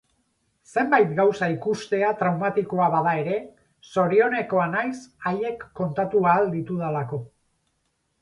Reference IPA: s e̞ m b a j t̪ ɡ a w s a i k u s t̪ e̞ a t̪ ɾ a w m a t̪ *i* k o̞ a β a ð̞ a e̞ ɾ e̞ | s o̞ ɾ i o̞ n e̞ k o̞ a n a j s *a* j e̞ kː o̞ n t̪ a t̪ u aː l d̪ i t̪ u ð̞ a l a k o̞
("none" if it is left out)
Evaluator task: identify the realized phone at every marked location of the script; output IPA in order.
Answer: i, a

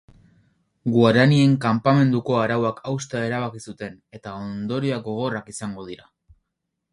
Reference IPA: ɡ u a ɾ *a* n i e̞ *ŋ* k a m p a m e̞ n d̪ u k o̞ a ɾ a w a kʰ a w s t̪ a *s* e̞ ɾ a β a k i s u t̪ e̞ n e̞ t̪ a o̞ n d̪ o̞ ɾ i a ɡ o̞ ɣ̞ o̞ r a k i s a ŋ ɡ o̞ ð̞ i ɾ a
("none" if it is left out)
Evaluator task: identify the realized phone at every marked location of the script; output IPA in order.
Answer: a, ŋ, none

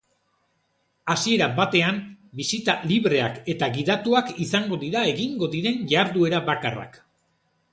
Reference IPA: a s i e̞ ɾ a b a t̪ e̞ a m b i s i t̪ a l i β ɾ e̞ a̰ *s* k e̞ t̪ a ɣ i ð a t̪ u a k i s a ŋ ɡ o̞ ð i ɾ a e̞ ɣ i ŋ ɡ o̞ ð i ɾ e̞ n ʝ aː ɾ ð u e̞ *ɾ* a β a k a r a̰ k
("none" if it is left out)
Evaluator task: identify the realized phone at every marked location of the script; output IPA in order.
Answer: none, ɾ

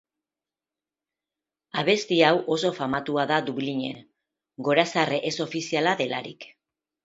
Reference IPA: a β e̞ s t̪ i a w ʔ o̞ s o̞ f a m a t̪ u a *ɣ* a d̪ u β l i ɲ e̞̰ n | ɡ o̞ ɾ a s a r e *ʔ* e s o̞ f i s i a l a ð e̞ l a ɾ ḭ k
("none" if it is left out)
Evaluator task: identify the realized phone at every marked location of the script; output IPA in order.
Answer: ð, ʔ

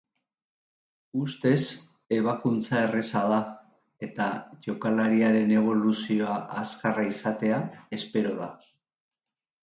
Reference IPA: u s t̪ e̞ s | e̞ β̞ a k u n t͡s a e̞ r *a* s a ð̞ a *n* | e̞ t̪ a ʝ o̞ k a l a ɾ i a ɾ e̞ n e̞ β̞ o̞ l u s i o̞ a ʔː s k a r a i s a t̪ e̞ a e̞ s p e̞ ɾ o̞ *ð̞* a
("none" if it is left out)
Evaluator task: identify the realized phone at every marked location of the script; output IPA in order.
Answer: e, none, ð̞

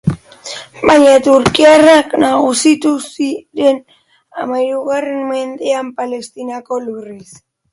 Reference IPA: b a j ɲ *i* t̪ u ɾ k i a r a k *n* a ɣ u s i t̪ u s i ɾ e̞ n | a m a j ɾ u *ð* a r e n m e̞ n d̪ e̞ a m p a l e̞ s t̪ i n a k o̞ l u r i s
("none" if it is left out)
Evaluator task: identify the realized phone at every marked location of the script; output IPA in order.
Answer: a, n, ɣ

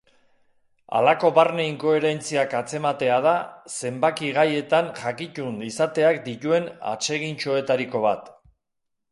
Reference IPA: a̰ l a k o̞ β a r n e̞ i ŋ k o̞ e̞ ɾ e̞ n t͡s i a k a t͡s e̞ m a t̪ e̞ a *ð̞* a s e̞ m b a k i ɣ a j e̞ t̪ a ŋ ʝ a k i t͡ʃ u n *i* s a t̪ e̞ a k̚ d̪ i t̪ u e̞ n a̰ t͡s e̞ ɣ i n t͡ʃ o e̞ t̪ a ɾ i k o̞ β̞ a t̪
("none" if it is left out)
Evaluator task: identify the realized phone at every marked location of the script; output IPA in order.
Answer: ð̞, i

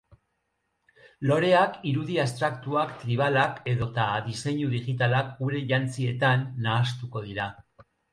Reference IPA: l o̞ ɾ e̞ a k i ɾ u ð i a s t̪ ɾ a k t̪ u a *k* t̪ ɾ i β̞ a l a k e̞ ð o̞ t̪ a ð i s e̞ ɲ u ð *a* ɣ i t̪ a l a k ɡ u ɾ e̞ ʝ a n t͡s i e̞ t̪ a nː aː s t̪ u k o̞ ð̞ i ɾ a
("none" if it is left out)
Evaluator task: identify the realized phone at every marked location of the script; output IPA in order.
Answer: k, i

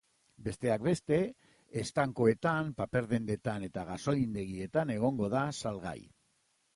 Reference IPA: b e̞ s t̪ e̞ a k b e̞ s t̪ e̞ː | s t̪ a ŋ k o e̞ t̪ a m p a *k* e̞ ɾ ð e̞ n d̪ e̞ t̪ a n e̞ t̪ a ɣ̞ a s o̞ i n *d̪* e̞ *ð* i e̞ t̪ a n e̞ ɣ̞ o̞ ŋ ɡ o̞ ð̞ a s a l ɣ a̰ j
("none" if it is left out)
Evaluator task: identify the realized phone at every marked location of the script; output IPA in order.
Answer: p, d̪, ɣ

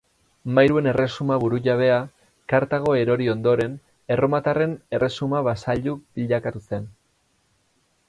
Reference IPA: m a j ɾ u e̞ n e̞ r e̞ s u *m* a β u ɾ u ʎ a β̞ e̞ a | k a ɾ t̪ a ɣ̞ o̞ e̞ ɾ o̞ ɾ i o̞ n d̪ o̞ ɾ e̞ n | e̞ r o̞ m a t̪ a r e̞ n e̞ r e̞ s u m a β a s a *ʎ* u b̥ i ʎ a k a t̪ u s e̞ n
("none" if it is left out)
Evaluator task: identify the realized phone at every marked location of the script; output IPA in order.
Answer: m, ʎ

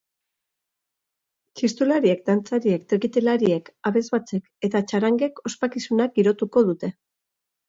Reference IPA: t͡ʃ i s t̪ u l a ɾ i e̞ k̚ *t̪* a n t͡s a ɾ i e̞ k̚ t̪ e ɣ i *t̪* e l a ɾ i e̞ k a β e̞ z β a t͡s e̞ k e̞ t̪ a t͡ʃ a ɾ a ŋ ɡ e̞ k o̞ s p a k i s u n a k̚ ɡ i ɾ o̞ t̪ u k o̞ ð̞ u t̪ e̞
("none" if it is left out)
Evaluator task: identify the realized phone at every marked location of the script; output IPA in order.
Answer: d̪, t̪

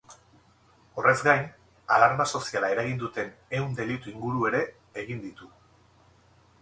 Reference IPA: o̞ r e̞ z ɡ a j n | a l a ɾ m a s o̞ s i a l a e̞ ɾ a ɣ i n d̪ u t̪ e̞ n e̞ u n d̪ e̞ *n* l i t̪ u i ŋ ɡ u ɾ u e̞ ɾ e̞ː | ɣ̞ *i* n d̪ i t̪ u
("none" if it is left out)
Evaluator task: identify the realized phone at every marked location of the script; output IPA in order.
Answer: none, i

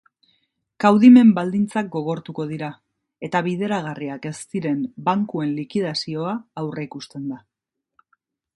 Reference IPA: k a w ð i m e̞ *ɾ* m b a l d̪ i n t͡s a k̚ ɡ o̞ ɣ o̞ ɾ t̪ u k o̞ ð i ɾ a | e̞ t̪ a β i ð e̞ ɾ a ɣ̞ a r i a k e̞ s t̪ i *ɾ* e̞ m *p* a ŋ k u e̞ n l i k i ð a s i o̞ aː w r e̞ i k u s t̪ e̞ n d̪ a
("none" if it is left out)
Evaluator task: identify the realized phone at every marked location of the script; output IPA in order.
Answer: none, ɾ, b

